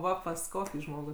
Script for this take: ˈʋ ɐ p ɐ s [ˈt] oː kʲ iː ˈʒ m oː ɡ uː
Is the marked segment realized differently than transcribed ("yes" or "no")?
yes